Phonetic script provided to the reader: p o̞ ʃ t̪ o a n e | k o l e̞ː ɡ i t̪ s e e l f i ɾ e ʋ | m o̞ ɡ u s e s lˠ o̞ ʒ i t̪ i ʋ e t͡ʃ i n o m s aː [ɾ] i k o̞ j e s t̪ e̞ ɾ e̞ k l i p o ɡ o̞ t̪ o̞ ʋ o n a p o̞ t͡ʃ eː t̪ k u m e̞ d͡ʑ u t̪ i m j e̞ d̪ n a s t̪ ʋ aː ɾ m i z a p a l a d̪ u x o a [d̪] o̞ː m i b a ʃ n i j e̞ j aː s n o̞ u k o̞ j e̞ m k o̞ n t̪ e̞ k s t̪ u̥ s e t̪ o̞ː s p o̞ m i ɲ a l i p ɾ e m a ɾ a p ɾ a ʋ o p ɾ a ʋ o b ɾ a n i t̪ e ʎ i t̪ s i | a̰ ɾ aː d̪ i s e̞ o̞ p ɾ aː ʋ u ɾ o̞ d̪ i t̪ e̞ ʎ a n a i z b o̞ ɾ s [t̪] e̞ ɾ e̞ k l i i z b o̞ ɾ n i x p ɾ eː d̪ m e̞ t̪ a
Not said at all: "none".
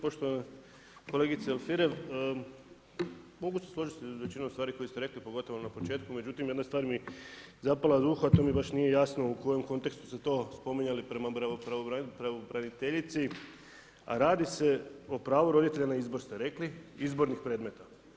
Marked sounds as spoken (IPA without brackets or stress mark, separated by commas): ɾ, t̪, t̪